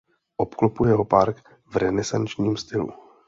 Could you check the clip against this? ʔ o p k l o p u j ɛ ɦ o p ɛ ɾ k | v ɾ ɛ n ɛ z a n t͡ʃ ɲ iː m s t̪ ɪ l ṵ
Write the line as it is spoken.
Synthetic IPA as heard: ʔ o p k l o p u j ɛ ɦ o p a ɾ k | v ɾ ɛ n ɛ s a n t͡ʃ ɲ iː m s t̪ ɪ l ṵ